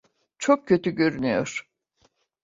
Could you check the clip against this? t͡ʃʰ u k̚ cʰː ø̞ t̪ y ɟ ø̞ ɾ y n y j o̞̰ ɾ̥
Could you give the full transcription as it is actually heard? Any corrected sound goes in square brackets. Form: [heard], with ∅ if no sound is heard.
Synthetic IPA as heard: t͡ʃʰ [o] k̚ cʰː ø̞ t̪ y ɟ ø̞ ɾ y n y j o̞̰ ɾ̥